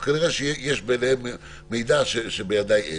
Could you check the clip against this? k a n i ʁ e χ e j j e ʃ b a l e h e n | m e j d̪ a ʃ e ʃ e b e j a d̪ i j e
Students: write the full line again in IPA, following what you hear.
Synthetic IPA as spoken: k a n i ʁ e ʃ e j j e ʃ b e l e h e m | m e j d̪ a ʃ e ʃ e b e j a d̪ a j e

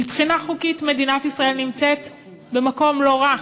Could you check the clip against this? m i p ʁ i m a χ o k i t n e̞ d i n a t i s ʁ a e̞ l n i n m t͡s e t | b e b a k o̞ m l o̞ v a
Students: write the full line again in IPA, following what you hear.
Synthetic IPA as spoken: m i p χ i n a χ u k i t m e̞ d i n a t i s ʁ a e̞ l n i m t͡s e t | b e m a k o̞ m l o̞ ʁ a

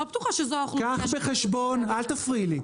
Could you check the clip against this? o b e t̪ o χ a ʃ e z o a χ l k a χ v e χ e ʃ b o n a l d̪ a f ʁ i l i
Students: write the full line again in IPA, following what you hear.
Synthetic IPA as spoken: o b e t̪ u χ a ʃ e z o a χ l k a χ b e χ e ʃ b o n a l t̪ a f ʁ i l i

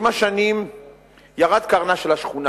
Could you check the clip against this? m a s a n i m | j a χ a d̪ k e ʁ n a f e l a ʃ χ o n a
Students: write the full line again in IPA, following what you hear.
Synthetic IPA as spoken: m a ʃ a n i m | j a ʁ a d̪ k a ʁ n a ʃ e l a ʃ χ u n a

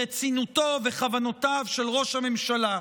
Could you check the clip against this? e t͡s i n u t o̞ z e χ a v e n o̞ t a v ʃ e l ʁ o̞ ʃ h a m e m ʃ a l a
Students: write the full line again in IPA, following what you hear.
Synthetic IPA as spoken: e t͡s i n u t o̞ v e χ a v a n o̞ t a v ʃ e l ʁ o̞ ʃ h a m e m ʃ a l a

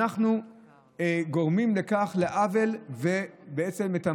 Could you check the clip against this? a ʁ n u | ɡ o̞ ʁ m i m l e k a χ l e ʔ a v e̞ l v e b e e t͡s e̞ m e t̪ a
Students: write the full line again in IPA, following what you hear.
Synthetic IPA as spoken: a χ n u | ɡ o̞ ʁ m i m l e k a χ l e ʔ a v e̞ l v e b e e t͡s e̞ m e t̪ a

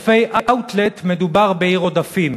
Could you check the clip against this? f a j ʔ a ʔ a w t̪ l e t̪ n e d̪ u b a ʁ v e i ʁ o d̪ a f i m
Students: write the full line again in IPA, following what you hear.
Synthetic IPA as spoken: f e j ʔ a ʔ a w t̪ l e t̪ m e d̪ u b a ʁ b e i ʁ o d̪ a f i m

